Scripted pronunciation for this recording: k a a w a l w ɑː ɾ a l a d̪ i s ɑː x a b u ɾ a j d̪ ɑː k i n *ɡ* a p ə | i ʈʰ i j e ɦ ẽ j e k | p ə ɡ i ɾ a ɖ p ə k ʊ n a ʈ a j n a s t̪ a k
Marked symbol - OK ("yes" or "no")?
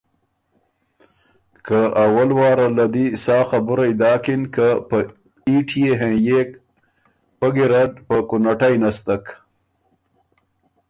no